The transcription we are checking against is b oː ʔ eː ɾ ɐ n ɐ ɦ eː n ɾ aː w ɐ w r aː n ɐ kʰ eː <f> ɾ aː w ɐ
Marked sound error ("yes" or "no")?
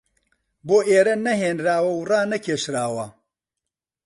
yes